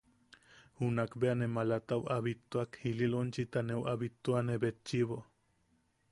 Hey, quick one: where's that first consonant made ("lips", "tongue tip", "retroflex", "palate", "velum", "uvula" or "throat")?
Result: throat